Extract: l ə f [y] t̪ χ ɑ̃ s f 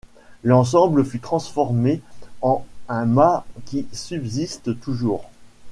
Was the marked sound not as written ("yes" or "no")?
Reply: no